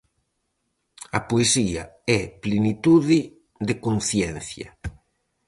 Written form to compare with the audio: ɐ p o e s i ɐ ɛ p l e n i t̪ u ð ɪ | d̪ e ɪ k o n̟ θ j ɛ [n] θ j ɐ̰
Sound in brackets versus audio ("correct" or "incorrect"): correct